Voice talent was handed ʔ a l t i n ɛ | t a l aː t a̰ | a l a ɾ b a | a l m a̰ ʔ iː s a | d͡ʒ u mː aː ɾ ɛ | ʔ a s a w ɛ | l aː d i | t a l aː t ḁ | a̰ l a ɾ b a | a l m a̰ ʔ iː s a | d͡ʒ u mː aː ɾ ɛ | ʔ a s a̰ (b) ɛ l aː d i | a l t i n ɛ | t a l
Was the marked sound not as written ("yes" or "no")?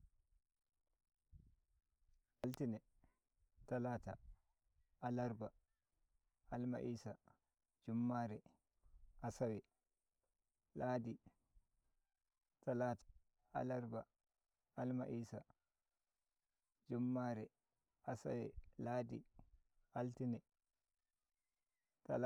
yes